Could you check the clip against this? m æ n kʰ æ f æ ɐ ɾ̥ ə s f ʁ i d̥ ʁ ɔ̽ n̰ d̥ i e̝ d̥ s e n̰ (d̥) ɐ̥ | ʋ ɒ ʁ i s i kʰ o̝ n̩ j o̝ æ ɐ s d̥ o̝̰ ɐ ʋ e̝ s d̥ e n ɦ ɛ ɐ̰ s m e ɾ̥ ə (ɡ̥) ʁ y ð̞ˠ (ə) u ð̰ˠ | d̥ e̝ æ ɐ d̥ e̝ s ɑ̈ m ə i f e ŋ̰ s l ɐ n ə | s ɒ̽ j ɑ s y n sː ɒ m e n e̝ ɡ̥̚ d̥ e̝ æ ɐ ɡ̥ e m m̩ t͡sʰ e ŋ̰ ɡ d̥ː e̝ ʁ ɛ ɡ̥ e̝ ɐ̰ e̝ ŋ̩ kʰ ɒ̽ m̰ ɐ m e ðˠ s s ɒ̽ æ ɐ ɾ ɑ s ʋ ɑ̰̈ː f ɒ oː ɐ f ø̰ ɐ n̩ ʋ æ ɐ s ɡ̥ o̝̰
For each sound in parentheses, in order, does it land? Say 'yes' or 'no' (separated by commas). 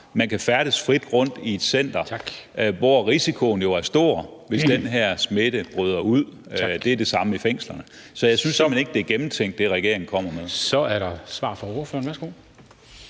yes, no, no